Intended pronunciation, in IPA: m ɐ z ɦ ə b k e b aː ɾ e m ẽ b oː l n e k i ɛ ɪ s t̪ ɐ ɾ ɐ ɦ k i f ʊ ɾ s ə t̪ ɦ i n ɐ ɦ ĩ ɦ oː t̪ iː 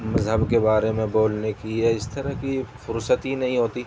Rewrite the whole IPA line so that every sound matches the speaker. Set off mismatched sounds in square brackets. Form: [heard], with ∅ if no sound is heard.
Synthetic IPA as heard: m ɐ z ɦ ə b k e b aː ɾ e m ẽ b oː l n e k i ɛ ɪ s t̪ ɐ ɾ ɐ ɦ k i f ʊ ɾ s ə t̪ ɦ i n ɐ ɦ ĩ ɦ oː t̪ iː